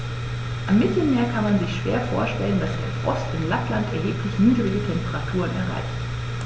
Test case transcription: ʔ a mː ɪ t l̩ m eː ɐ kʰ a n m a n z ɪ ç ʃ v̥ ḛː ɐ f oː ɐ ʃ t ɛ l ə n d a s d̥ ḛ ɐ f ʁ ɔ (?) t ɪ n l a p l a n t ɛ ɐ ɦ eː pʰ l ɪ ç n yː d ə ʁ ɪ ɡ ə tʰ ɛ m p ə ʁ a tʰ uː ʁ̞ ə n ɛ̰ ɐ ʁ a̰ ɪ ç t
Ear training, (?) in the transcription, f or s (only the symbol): s